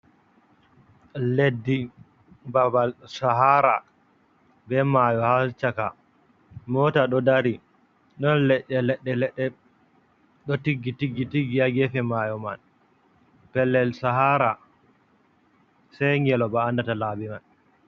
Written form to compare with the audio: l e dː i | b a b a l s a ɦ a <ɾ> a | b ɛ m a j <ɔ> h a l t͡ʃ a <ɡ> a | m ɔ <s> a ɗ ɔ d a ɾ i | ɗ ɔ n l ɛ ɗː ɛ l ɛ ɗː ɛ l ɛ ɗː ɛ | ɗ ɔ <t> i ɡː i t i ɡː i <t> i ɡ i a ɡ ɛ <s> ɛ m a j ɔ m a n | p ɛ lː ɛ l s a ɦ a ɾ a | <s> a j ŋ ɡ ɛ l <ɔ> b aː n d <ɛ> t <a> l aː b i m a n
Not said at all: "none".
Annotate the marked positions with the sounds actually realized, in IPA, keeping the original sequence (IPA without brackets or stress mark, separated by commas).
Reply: ɾ, ɔ, k, t, t, t, f, s, ɔ, a, a